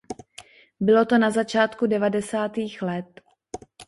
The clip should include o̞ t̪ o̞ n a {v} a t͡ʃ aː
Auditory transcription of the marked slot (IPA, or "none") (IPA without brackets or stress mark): z